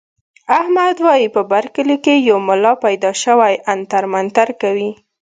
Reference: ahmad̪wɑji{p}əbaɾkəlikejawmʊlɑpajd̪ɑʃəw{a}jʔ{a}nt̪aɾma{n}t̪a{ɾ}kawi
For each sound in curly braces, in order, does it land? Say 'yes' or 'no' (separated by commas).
yes, yes, yes, yes, yes